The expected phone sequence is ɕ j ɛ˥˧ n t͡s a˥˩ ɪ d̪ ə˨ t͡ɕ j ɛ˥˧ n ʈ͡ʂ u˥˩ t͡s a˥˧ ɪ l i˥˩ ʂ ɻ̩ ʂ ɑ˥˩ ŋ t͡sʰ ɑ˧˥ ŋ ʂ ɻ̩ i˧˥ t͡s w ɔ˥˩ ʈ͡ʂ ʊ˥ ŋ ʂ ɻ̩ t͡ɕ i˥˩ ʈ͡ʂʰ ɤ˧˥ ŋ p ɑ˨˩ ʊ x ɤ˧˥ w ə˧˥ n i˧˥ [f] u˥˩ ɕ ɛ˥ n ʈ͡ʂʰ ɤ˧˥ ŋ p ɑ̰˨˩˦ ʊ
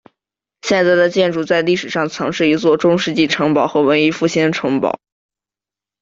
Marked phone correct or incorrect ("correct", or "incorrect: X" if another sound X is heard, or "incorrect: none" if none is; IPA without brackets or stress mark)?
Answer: correct